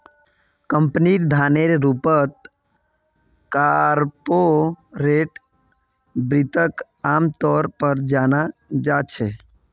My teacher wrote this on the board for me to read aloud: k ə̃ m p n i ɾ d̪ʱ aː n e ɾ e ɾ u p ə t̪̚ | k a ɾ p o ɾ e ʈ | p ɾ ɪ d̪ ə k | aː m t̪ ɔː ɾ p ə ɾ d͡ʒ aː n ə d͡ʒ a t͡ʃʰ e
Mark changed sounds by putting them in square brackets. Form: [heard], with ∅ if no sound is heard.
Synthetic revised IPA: k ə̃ m p n i ɾ d̪ʱ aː n e ɾ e ɾ u p ə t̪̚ | k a ɾ p o ɾ e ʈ | [b] ɾ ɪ [t̪] ə k | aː m t̪ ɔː ɾ p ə ɾ d͡ʒ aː n [a] d͡ʒ a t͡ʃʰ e

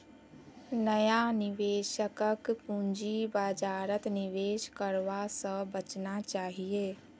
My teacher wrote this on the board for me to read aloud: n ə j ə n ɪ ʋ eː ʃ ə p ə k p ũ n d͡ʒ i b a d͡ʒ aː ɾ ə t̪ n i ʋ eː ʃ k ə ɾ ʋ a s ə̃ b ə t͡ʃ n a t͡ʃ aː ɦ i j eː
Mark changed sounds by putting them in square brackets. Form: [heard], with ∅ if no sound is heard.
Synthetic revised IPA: n ə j [a] n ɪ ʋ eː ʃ ə [k] ə k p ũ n d͡ʒ i b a d͡ʒ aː ɾ ə t̪ n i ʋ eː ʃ k ə ɾ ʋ a s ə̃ b ə t͡ʃ n a t͡ʃ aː ɦ i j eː

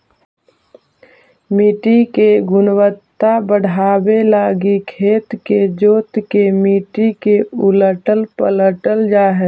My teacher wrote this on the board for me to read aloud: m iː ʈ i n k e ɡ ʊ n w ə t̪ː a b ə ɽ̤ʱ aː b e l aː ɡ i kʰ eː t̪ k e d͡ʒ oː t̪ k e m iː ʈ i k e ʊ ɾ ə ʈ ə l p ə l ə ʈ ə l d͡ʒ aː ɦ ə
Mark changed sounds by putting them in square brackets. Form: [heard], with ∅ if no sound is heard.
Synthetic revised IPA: m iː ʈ i [∅] k e ɡ ʊ n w ə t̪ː a b ə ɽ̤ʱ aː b e l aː ɡ i kʰ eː t̪ k e d͡ʒ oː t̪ k e m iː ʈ i k e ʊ [l] ə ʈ ə l p ə l ə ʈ ə l d͡ʒ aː ɦ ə

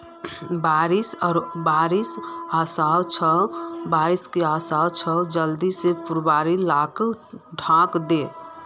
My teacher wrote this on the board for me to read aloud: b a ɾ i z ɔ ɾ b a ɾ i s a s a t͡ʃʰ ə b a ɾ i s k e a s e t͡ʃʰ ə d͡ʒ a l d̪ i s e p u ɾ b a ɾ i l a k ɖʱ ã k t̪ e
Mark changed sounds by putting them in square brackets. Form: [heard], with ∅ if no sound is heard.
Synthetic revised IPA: b a ɾ i [s] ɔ ɾ b a ɾ i s a s a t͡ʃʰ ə b a ɾ i s k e a s [a] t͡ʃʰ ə d͡ʒ [ə] l d̪ i s e p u ɾ b a ɾ i l a k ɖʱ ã k [d̪] e

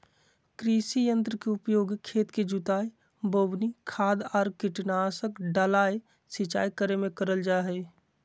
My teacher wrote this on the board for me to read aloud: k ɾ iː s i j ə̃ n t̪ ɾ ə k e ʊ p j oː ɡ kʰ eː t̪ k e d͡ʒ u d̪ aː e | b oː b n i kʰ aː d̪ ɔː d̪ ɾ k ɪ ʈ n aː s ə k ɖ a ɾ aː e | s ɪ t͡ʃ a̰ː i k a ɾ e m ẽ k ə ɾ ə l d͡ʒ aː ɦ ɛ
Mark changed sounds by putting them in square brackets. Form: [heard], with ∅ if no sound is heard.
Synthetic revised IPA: k ɾ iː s i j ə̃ n t̪ ɾ ə k e ʊ p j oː ɡ kʰ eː t̪ k e d͡ʒ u [t̪] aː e | b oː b n i kʰ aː d̪ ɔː [∅] ɾ k ɪ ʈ n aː s ə k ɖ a [l] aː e | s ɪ t͡ʃ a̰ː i k [ə] ɾ e m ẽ k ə ɾ ə l d͡ʒ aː ɦ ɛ

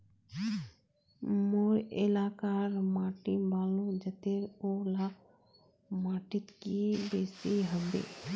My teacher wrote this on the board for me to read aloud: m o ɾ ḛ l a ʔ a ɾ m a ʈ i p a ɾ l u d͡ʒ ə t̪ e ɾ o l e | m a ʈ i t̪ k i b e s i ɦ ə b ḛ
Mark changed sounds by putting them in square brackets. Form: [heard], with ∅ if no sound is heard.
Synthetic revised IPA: m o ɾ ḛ l a [k] a ɾ m a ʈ i [b] a [∅] l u d͡ʒ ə t̪ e ɾ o l [a] | m a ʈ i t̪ k i b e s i ɦ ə b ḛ

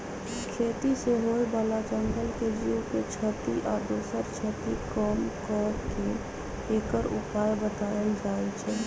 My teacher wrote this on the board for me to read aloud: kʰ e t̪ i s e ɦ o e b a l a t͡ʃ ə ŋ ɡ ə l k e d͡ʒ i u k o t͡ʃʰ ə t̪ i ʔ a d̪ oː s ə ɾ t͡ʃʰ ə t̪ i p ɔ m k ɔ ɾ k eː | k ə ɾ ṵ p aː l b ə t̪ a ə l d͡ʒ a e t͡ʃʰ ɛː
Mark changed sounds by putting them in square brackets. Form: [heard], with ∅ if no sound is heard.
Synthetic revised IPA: kʰ e t̪ i s e ɦ o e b a l a t͡ʃ ə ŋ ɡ ə l k e d͡ʒ i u k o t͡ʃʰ ə t̪ i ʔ a d̪ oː s ə ɾ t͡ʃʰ ə t̪ i [k] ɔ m k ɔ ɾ k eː | k ə ɾ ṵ p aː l b ə t̪ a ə l d͡ʒ a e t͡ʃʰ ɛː

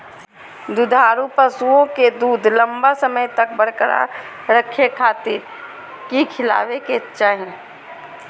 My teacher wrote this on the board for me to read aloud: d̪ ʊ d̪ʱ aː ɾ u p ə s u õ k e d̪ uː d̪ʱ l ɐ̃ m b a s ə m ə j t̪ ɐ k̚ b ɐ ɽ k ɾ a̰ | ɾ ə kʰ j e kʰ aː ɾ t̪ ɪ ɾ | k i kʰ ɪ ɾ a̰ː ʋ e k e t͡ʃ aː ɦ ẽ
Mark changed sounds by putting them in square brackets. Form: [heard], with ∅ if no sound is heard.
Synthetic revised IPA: d̪ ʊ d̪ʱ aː ɾ u p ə s u õ k e d̪ uː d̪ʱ l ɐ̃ m b a s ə m ə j t̪ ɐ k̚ b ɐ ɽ k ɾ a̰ | ɾ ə kʰ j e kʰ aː [∅] t̪ ɪ ɾ | k i kʰ ɪ [l] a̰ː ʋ e k e t͡ʃ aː ɦ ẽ

